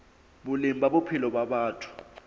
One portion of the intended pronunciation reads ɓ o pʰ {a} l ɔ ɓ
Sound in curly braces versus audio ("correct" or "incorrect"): incorrect